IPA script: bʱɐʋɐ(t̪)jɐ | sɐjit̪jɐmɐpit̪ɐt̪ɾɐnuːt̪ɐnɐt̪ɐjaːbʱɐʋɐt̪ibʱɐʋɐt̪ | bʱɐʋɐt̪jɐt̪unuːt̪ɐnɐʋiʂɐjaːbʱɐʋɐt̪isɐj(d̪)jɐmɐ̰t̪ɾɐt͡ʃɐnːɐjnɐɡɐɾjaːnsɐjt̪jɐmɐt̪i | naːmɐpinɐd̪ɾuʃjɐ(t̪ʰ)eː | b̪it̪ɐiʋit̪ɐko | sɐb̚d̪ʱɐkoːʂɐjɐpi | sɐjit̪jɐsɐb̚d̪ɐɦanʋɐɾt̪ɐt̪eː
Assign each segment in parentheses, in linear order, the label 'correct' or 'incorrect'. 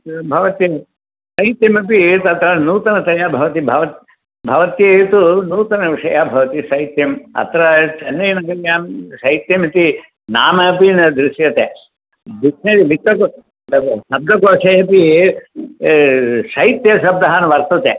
correct, incorrect: t̪, incorrect: t̪

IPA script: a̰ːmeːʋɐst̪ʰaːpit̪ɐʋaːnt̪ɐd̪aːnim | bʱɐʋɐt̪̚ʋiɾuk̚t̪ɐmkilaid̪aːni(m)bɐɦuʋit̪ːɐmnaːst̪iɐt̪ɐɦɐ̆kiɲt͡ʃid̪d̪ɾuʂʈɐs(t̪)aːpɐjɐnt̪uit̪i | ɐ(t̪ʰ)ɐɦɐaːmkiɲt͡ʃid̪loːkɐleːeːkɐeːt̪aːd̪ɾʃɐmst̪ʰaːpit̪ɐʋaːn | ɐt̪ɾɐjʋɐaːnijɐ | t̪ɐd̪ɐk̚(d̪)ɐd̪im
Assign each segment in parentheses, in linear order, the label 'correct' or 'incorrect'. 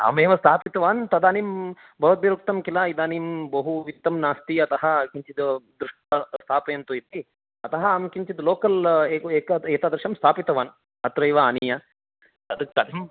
correct, incorrect: t̪ʰ, incorrect: t̪, incorrect: t̪

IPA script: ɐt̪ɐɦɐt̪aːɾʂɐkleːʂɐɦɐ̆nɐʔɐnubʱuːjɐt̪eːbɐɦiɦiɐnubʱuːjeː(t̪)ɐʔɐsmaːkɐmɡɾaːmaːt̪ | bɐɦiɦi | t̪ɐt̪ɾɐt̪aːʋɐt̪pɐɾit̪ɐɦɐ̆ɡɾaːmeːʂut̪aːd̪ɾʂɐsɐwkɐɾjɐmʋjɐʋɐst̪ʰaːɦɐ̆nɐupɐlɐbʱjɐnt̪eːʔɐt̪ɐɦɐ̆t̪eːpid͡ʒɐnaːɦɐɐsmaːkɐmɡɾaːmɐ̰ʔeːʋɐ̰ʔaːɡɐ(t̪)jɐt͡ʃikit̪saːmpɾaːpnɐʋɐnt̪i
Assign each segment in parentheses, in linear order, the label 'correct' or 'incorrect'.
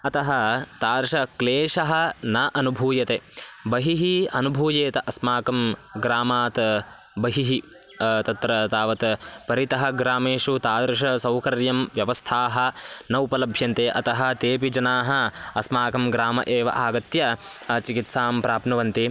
correct, correct

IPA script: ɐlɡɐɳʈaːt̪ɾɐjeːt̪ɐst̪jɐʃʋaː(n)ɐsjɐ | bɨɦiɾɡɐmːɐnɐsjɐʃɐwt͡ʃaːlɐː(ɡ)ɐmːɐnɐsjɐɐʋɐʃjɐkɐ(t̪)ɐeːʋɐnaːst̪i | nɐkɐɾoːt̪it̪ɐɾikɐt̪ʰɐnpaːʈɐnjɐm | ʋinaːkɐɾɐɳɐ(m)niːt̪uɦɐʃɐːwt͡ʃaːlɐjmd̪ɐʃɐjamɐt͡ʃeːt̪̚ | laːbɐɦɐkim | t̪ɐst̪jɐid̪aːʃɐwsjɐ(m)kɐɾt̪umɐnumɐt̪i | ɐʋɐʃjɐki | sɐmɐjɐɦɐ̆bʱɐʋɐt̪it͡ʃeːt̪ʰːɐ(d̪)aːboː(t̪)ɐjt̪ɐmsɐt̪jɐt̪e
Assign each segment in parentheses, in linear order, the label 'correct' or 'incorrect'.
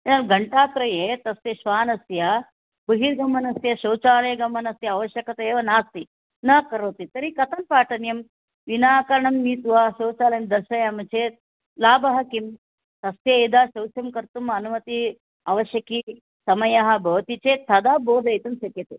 correct, correct, correct, correct, correct, correct, incorrect: d̪

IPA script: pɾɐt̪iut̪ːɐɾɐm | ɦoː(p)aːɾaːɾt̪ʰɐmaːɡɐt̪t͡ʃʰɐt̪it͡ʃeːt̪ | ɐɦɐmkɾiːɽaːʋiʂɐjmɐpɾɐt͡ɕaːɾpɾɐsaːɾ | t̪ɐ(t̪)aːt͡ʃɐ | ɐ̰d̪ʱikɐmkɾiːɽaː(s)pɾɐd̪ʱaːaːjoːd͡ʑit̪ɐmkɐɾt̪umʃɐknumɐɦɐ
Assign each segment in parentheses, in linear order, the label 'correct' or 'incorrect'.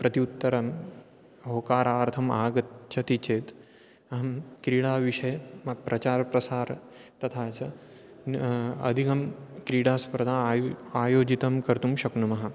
incorrect: k, incorrect: t̪ʰ, correct

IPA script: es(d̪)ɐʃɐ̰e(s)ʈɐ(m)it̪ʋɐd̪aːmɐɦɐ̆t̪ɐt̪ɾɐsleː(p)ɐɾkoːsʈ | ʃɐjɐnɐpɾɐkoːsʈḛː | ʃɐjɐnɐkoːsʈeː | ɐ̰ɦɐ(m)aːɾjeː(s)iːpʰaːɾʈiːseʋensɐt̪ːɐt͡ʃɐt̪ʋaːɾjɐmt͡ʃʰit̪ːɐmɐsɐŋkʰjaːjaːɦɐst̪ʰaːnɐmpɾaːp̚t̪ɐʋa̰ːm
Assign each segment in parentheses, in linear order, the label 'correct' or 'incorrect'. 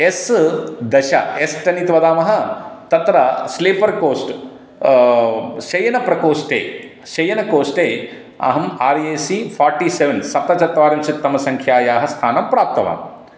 correct, correct, incorrect: n, correct, correct, correct

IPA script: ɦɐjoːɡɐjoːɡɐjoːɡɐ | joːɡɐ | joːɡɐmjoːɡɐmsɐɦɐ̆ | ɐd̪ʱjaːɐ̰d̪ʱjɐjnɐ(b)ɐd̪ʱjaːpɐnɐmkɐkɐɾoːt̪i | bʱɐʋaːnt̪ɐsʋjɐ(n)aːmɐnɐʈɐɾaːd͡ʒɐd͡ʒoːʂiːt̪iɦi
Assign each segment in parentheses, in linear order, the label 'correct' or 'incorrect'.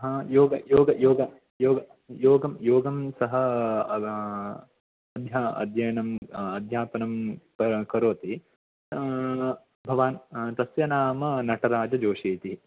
incorrect: m, correct

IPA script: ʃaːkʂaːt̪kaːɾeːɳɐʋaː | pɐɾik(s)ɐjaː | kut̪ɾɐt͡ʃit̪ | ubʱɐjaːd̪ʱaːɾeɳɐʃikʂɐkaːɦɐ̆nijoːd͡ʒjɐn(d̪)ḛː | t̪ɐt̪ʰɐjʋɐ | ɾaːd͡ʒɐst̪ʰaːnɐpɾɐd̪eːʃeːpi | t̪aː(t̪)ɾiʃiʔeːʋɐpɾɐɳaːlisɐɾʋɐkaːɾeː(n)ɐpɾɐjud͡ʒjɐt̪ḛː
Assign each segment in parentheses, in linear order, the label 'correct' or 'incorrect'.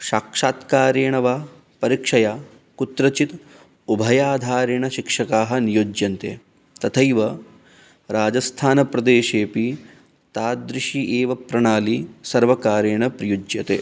incorrect: ʂ, incorrect: t̪, incorrect: d̪, incorrect: ɳ

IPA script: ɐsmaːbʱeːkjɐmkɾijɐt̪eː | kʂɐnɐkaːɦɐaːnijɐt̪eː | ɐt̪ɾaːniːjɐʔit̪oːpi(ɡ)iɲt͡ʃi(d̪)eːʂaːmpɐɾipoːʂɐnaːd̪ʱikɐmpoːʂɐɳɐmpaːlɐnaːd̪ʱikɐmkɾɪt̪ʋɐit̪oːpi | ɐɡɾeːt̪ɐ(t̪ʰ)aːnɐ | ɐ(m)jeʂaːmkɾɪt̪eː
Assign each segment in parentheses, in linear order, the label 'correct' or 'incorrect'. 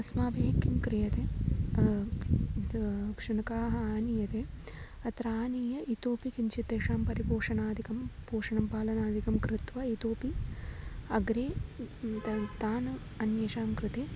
incorrect: k, incorrect: t̪, incorrect: t̪, incorrect: n

